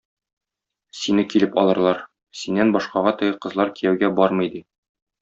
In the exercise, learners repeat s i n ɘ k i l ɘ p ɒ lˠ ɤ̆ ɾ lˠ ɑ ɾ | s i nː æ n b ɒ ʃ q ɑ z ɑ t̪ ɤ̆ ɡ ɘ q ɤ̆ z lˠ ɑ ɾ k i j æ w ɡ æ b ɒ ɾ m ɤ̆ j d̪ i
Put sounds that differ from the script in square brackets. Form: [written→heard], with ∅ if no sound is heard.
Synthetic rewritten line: s i n ɘ k i l ɘ p ɒ lˠ ɤ̆ ɾ lˠ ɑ ɾ | s i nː æ n b ɒ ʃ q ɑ [z→ʁ] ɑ t̪ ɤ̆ ɡ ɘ q ɤ̆ z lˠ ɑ ɾ k i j æ w ɡ æ b ɒ ɾ m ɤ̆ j d̪ i